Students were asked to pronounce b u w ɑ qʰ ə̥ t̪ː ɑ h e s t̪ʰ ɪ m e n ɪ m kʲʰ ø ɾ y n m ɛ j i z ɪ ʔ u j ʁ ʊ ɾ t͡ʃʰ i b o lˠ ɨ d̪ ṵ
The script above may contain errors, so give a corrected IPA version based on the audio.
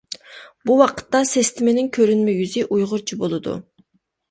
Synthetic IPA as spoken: b u w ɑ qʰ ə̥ t̪ː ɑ s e s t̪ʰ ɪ m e n ɪ ŋ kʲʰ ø ɾ y n m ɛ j y z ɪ ʔ u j ʁ ʊ ɾ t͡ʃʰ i b o lˠ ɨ d̪ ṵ